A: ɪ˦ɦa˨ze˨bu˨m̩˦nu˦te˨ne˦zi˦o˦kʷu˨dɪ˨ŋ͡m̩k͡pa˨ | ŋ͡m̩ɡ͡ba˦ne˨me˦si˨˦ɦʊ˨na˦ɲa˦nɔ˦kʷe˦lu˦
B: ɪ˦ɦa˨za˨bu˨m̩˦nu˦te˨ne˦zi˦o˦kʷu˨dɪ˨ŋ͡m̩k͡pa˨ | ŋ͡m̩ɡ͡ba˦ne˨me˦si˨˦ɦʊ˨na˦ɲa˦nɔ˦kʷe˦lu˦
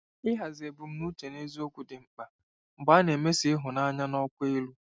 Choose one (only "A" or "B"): A